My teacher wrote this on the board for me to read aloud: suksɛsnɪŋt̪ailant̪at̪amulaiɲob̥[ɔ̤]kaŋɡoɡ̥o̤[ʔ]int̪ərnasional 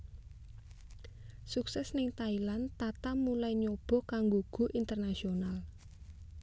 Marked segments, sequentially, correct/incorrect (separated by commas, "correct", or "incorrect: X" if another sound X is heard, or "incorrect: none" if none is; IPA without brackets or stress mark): correct, correct